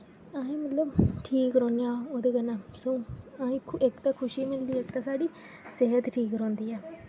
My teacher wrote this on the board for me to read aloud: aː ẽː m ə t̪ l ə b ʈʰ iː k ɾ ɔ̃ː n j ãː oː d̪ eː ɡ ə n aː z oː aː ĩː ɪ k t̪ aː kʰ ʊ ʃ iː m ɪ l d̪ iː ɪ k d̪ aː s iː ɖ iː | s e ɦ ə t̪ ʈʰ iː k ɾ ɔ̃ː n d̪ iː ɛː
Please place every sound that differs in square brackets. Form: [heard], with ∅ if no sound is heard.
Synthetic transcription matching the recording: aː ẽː m ə t̪ l ə b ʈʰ iː k ɾ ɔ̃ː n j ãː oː d̪ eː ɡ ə n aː [s] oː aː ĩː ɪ k t̪ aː kʰ ʊ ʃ iː m ɪ l d̪ iː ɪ k [t̪] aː s [aː] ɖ iː | s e ɦ ə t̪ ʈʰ iː k ɾ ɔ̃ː n d̪ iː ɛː